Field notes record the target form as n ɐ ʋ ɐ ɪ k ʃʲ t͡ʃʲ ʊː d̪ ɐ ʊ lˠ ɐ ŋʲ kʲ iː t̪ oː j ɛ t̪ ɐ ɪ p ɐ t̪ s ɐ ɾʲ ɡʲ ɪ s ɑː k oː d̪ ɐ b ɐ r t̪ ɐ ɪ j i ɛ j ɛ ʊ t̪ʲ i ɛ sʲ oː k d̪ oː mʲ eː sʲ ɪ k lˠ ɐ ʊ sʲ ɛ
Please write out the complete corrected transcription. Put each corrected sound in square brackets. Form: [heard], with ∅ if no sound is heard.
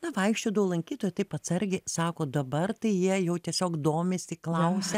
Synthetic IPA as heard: n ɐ ʋ ɐ ɪ k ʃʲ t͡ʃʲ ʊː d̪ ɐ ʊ lˠ ɐ ŋʲ kʲ iː t̪ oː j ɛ t̪ ɐ ɪ p ɐ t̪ s ɐ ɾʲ ɡʲ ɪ s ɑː k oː d̪ ɐ b ɐ r t̪ ɐ ɪ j i ɛ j ɛ ʊ t̪ʲ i ɛ sʲ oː k d̪ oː mʲ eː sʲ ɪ k lˠ ɐ ʊ sʲ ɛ